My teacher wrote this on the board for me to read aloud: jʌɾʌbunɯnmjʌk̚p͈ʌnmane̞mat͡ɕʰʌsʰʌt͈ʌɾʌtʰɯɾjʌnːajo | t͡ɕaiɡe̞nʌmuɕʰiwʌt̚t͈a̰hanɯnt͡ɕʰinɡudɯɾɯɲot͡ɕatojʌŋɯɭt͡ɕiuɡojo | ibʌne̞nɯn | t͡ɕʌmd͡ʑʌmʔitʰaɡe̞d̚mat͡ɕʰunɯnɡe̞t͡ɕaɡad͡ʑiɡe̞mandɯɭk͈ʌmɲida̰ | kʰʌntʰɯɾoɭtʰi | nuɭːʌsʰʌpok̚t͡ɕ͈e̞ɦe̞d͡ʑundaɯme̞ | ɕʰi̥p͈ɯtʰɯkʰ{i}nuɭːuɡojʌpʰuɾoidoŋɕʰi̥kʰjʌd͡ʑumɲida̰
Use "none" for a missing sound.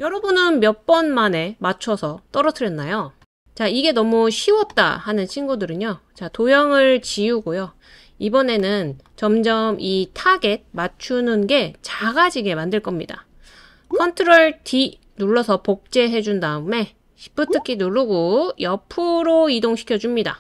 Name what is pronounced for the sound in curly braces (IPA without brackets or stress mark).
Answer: i